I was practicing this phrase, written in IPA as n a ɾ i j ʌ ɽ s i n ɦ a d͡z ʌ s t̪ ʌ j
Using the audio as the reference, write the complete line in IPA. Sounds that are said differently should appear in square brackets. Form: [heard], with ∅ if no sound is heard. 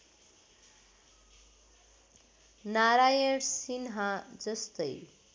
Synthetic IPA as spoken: n a ɾ [a] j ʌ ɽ s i n ɦ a d͡z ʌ s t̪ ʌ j

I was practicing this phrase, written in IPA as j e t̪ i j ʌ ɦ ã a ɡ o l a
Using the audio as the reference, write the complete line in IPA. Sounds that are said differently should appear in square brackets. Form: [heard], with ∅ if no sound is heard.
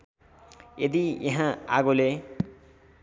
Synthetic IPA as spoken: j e [d̪] i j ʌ ɦ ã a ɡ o l [e]

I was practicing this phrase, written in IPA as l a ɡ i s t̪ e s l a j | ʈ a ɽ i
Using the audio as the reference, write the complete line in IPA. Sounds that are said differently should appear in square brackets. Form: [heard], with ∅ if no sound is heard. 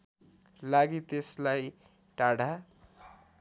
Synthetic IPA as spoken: l a ɡ i [∅] t̪ e s l a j | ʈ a ɽ [a]

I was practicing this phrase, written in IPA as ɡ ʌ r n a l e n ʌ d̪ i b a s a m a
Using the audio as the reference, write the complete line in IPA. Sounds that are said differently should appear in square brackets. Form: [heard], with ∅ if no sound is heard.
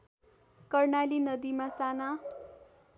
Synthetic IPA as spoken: [k] ʌ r n a l [i] n ʌ d̪ i [m] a s a [n] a

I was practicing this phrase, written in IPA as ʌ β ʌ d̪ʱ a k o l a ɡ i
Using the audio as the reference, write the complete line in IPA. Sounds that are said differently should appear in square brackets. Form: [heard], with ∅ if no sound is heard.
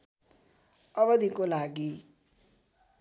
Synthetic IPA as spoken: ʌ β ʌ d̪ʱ [i] k o l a ɡ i

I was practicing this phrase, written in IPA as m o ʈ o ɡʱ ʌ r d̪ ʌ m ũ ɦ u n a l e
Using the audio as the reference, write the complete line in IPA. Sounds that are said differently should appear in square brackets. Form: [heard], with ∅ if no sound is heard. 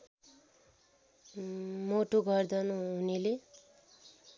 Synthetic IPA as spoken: m o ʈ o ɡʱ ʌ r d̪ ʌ [n] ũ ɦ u n [i] l e

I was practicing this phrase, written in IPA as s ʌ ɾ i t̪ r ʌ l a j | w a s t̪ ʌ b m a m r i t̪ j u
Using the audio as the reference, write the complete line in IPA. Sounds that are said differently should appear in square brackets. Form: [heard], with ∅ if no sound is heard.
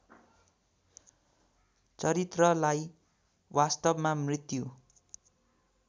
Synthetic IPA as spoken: [t͡s] ʌ ɾ i t̪ r ʌ l a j | w a s t̪ ʌ b m a m r i t̪ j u

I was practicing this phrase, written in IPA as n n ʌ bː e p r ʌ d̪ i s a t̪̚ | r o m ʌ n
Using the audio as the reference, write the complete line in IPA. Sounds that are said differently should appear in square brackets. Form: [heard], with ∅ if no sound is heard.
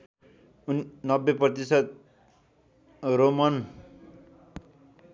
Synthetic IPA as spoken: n n ʌ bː e p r ʌ [t̪] i s [ʌ] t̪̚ | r o m ʌ n

